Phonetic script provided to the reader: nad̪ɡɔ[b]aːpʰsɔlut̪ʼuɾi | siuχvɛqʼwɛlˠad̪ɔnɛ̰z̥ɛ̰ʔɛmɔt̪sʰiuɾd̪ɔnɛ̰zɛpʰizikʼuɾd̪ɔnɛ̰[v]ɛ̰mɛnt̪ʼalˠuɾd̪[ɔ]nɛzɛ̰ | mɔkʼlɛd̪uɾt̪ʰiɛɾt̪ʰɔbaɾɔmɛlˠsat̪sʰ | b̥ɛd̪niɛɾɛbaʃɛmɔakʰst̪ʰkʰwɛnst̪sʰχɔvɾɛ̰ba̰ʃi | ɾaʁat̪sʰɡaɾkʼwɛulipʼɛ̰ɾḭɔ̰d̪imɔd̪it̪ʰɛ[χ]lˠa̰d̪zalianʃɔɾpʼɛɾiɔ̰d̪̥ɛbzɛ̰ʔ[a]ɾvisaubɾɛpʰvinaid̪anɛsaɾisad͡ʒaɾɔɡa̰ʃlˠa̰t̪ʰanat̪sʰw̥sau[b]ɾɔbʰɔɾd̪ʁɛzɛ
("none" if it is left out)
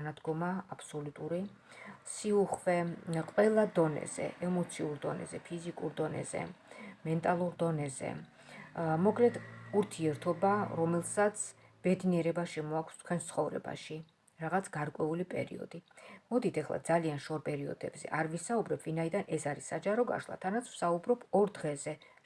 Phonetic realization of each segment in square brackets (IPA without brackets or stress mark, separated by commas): m, z, ɔ, χ, a, b